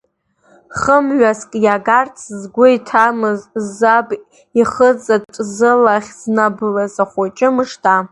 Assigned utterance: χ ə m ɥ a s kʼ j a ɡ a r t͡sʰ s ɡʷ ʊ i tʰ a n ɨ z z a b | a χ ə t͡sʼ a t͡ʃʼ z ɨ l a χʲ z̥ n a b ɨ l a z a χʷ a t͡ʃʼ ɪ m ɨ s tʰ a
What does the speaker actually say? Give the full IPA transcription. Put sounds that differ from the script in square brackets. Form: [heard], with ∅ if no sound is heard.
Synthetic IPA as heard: χ ə m ɥ a s kʼ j a ɡ a r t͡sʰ [z] ɡʷ ʊ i tʰ a [m] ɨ z z a b | [i] χ ə t͡sʼ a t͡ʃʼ z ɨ l a χʲ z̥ n a b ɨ l a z a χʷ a t͡ʃʼ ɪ m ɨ [ʂ] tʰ a

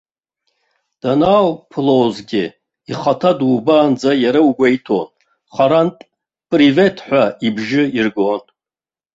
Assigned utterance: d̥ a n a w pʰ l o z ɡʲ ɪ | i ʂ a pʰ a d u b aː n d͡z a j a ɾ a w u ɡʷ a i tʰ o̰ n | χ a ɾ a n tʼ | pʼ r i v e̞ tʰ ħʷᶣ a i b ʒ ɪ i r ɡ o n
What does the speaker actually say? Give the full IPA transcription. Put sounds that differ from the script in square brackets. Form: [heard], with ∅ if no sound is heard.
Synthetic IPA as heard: d̥ a n a w pʰ l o z ɡʲ ɪ | i [χ] a [tʰ] a d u b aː n d͡z a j a ɾ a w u ɡʷ a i tʰ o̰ n | χ a ɾ a n tʼ | pʼ r i v e̞ tʰ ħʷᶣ a i b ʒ ɪ i r ɡ o n

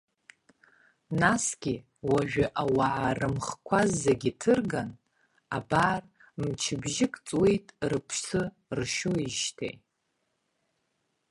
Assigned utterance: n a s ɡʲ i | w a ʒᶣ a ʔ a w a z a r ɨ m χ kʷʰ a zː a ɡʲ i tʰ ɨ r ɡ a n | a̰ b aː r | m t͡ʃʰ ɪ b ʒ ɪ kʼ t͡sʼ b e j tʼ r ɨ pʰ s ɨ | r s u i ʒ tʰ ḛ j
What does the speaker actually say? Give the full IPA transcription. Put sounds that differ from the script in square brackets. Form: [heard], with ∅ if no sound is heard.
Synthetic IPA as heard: n a s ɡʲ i | w a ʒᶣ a ʔ a w a [ʕ] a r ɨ m χ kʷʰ a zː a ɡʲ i tʰ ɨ r ɡ a n | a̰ b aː r | m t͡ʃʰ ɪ b ʒ ɪ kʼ t͡sʼ [w] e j tʼ r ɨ pʰ s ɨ | r [ʃ] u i ʒ tʰ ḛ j

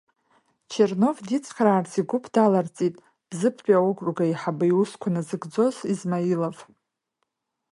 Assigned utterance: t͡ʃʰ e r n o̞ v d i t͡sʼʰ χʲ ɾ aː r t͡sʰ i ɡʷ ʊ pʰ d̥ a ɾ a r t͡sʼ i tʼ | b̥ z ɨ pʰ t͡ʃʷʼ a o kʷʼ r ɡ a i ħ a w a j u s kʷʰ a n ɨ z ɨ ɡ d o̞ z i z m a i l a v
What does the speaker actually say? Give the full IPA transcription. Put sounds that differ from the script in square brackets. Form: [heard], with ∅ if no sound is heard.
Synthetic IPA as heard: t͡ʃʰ e r n o̞ v d i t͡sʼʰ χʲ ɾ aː r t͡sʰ i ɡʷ ʊ pʰ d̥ a [l] a r t͡sʼ i tʼ | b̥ z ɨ pʰ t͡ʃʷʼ a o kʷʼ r ɡ a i ħ a [b] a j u s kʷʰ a n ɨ z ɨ ɡ [d͡z] o̞ z i z m a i l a v

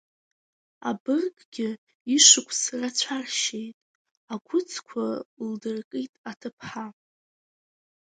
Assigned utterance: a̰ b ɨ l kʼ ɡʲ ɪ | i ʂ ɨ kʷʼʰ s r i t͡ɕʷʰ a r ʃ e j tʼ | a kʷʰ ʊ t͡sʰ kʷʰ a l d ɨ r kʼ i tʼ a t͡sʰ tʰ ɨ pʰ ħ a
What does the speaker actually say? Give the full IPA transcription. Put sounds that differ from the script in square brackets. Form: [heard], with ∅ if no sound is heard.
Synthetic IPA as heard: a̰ b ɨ [r] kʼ ɡʲ ɪ | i ʂ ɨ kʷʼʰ s r [a] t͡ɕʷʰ a r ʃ e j tʼ | a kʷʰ ʊ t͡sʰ kʷʰ a l d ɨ r kʼ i tʼ a [∅] tʰ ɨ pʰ ħ a

